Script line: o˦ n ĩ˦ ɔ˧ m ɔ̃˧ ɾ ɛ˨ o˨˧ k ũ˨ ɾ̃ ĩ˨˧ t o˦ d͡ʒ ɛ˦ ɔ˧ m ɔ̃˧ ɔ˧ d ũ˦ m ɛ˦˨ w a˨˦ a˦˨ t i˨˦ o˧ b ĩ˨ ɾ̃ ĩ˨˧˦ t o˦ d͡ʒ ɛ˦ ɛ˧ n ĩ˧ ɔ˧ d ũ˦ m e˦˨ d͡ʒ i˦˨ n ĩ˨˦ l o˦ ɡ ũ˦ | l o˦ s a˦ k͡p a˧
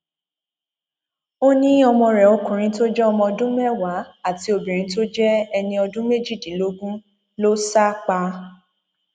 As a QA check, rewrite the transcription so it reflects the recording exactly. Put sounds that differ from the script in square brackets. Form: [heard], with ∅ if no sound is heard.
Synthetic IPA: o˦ n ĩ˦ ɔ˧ m ɔ̃˧ ɾ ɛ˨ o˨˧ k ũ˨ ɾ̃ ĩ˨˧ t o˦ d͡ʒ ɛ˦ ɔ˧ m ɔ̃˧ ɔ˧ d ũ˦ m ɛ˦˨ w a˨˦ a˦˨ t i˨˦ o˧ b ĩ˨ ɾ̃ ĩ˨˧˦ t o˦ d͡ʒ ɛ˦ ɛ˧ n ĩ˧ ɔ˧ d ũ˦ m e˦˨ d͡ʒ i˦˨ [d] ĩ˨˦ l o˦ ɡ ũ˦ | l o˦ s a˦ k͡p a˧